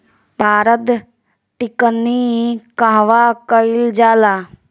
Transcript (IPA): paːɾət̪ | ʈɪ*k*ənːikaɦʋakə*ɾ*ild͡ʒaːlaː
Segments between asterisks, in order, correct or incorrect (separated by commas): correct, incorrect